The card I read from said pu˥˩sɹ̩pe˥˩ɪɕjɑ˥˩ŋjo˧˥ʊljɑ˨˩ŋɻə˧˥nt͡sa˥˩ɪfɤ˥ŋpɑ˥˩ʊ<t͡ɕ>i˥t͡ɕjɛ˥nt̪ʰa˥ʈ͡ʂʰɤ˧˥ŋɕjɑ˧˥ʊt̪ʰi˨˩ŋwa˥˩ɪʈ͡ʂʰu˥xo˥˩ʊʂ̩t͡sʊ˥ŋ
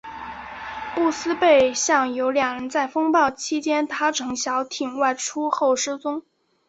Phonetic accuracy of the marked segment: incorrect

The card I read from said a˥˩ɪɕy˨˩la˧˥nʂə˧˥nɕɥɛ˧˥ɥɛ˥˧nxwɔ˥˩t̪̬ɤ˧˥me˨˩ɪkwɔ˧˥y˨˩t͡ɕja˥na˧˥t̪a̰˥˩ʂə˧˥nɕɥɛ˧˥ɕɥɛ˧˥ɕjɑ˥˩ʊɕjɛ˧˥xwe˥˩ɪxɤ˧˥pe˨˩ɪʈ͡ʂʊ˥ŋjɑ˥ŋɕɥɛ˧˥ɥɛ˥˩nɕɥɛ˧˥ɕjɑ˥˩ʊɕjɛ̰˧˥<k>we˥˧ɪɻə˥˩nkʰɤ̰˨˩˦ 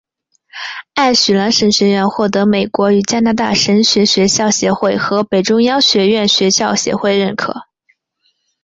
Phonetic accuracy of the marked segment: incorrect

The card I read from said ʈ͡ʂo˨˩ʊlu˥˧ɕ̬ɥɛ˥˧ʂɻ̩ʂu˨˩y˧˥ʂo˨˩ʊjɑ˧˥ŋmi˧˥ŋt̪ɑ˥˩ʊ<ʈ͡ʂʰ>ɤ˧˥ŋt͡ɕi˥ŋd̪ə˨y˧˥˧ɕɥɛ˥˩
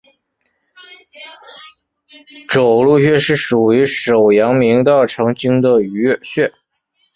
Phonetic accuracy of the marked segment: correct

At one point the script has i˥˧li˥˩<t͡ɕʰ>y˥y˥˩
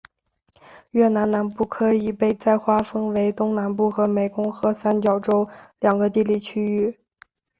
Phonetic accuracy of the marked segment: correct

